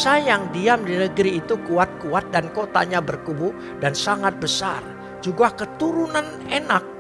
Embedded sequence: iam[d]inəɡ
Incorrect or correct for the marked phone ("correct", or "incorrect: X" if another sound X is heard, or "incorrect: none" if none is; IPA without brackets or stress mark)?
correct